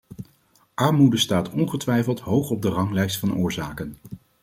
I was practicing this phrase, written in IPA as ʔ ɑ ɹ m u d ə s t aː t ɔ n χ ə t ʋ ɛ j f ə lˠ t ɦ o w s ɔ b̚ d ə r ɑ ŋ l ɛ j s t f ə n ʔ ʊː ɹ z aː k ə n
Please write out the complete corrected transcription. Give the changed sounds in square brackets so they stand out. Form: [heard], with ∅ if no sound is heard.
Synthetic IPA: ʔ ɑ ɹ m u d ə s t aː t ɔ n χ ə t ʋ ɛ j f ə lˠ t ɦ o w [χ] ɔ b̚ d ə r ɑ ŋ l ɛ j s t f [ɑ] n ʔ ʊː ɹ z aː k ə n